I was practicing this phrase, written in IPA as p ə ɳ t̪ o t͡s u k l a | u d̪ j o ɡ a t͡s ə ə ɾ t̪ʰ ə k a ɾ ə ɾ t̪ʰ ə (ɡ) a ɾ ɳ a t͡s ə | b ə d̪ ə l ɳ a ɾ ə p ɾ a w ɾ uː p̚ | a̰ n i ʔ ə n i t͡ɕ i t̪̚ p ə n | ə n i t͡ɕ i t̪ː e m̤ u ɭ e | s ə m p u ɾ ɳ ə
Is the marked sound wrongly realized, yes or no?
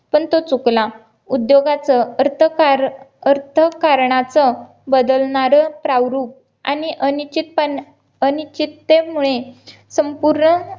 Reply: yes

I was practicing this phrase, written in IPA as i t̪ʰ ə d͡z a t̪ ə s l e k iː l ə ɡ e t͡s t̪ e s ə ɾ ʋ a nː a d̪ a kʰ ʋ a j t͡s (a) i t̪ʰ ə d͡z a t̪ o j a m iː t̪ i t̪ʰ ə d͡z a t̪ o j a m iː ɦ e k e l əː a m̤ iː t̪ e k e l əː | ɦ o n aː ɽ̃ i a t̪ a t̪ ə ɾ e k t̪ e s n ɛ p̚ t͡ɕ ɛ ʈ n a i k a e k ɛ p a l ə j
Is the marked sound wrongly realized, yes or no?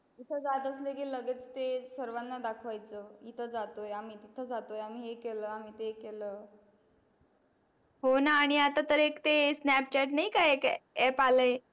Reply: yes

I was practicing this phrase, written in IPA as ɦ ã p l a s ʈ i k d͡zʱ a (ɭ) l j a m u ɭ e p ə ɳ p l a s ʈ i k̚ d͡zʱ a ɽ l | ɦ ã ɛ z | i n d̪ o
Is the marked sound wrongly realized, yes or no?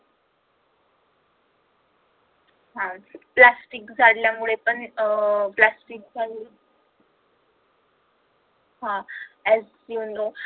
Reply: yes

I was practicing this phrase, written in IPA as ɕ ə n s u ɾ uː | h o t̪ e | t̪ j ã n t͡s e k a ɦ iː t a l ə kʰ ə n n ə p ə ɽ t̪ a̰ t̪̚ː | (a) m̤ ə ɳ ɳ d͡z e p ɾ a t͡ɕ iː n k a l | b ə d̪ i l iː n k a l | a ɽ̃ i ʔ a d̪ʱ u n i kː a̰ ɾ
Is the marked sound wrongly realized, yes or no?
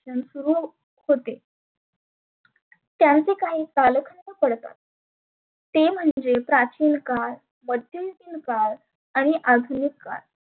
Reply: yes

